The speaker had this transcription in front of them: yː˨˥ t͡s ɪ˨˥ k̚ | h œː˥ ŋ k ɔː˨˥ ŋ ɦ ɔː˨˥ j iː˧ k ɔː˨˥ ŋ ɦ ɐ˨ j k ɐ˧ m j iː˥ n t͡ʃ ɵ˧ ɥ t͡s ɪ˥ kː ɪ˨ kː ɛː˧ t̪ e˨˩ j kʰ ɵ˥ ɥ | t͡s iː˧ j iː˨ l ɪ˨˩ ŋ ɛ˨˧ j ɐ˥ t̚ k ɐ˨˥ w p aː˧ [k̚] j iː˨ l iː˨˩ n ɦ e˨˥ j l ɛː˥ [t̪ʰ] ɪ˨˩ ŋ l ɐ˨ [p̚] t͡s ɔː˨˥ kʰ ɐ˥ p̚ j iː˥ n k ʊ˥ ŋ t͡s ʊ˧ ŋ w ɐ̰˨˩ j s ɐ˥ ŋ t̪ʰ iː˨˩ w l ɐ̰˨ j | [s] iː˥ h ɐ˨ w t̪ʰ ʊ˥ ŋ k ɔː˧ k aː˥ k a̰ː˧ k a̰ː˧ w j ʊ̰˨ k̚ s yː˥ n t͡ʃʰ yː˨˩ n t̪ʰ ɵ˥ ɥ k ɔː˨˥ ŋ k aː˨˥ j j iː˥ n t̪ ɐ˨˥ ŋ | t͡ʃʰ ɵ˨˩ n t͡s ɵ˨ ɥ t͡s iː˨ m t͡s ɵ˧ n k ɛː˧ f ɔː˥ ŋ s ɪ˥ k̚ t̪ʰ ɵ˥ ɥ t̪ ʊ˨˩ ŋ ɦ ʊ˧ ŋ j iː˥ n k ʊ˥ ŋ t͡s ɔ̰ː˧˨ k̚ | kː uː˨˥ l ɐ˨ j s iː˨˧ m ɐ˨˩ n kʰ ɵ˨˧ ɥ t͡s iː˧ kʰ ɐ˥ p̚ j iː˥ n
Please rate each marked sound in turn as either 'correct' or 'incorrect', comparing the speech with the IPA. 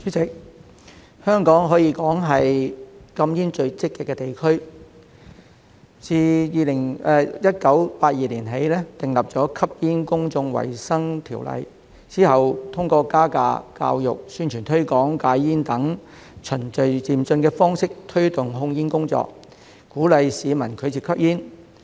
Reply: incorrect, incorrect, correct, incorrect

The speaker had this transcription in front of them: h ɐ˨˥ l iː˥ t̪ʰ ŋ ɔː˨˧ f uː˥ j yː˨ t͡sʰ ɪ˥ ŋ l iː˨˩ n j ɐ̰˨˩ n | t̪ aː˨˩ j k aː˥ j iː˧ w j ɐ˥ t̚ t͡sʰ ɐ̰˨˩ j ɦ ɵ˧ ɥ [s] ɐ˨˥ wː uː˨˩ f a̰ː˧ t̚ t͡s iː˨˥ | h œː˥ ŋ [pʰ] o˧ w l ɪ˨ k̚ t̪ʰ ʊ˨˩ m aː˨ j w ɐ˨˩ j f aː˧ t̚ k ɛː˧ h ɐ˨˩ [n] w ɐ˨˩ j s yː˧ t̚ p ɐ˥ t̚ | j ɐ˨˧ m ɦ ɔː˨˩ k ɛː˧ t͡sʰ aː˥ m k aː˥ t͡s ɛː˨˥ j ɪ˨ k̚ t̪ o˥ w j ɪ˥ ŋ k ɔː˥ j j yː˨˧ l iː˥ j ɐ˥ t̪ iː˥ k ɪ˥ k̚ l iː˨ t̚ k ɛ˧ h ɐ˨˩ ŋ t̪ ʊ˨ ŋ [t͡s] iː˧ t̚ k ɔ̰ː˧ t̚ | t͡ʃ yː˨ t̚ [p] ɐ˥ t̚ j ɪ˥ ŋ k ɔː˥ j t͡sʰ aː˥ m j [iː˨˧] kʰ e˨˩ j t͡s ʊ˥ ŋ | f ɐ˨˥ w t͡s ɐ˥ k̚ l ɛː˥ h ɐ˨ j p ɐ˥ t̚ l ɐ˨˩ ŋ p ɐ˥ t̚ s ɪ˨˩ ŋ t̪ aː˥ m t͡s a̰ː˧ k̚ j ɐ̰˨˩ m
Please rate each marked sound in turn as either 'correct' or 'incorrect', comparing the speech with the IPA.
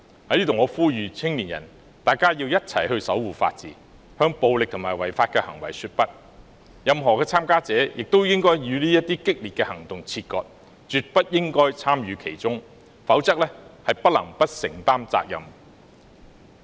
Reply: correct, incorrect, incorrect, incorrect, correct, incorrect

